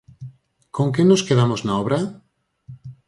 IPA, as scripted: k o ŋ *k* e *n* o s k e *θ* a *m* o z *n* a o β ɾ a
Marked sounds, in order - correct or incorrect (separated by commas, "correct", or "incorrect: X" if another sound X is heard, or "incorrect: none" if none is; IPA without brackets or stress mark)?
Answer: correct, correct, incorrect: ð, correct, correct